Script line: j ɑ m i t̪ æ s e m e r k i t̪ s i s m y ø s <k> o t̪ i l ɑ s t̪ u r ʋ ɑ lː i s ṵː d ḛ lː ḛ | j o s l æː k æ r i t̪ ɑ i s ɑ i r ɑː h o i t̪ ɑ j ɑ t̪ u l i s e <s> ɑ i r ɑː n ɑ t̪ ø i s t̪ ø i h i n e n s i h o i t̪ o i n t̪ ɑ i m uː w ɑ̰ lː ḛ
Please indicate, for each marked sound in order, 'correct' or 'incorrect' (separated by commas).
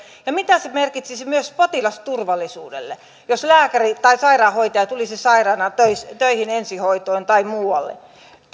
incorrect, correct